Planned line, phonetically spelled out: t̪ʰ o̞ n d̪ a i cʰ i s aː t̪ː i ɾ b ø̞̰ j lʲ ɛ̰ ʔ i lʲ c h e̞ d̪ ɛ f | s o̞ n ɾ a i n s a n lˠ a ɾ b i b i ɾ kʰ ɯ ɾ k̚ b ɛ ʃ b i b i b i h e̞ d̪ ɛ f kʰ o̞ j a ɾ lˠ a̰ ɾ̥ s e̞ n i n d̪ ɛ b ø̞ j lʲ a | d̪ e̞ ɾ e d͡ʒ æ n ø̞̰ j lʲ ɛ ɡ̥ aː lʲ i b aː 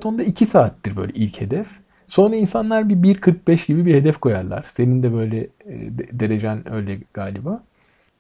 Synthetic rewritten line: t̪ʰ o̞ n d̪ a i cʰ i s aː t̪ː i ɾ b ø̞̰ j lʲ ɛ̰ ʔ i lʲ c h e̞ d̪ ɛ f | s o̞ n ɾ a i n s a n lˠ a ɾ b i b i ɾ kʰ ɯ ɾ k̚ b ɛ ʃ ɟ i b i b i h e̞ d̪ ɛ f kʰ o̞ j a ɾ lˠ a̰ ɾ̥ s e̞ n i n d̪ ɛ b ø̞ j lʲ ɛ | d̪ e̞ ɾ e d͡ʒ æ n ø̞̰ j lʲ ɛ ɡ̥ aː lʲ i b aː